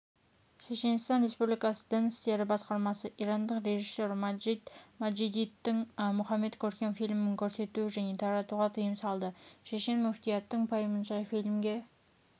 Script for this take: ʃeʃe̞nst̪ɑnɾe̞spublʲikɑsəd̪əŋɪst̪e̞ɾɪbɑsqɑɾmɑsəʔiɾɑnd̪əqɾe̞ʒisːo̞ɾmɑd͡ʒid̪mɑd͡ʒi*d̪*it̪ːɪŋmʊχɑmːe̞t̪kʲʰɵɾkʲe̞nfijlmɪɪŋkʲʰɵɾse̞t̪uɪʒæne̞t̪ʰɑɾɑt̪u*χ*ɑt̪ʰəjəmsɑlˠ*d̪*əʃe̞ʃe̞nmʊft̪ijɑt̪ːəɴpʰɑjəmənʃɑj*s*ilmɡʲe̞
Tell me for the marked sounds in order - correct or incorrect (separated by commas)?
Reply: correct, incorrect, correct, incorrect